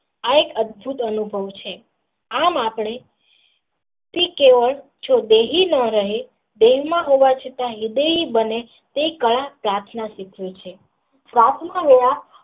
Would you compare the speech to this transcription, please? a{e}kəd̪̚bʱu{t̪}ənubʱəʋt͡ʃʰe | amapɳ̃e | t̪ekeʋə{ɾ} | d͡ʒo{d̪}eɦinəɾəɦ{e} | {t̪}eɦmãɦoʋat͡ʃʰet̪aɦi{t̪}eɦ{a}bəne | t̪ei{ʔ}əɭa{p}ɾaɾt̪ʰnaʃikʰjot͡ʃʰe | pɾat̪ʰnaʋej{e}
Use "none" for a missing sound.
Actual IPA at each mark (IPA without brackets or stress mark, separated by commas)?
e, t̪, ɭ, d̪, e, d̪, d̪, i, k, p, a